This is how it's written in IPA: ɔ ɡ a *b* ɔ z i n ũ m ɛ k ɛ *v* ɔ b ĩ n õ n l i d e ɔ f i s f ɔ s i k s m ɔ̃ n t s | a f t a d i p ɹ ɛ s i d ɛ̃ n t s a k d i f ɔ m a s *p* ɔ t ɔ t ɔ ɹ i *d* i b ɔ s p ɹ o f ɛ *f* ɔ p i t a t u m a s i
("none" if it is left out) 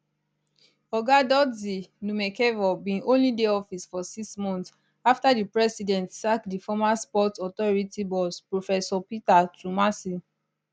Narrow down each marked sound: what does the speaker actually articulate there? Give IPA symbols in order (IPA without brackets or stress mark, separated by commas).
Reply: d, v, p, t, s